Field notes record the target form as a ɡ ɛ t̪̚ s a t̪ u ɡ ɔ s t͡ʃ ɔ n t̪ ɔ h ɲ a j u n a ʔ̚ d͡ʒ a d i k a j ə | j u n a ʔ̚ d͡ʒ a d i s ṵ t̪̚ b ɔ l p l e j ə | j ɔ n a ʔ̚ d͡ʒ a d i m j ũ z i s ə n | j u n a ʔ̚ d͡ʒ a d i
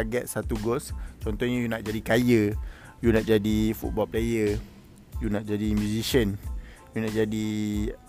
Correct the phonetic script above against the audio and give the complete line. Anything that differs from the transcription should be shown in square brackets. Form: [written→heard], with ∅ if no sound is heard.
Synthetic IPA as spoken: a ɡ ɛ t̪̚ s a t̪ u ɡ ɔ s t͡ʃ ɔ n t̪ ɔ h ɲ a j u n a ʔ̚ d͡ʒ a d i k a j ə | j u n a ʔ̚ d͡ʒ a d i [s→f] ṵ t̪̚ b ɔ l p l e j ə | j [ɔ→u] n a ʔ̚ d͡ʒ a d i m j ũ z i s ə n | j u n a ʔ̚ d͡ʒ a d i